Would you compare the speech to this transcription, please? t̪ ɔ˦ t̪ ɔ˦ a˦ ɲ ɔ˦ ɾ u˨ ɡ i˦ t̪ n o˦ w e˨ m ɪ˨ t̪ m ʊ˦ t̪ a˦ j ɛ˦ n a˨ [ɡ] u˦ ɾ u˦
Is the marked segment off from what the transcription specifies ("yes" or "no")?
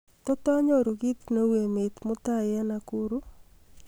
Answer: yes